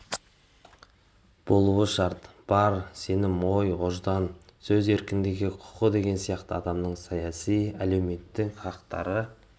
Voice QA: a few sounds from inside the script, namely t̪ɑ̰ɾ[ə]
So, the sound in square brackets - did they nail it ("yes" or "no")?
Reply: yes